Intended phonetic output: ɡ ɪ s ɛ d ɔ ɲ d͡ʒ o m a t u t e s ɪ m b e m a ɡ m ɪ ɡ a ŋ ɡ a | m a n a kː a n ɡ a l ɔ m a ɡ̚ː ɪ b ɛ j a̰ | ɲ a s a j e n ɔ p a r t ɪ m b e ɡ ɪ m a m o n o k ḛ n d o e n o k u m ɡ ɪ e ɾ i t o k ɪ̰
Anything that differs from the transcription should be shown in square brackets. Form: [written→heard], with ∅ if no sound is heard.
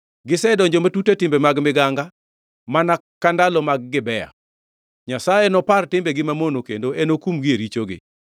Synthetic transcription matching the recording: ɡ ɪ s ɛ d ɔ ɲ d͡ʒ o m a t u t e [s→t] ɪ m b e m a ɡ m ɪ ɡ a ŋ ɡ a | m a n a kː a n [ɡ→d] a l ɔ m a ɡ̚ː ɪ b ɛ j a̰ | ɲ a s a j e n ɔ p a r t ɪ m b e ɡ ɪ m a m o n o k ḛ n d o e n o k u m ɡ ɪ e ɾ i [t→t͡ʃ] o [k→ɡ] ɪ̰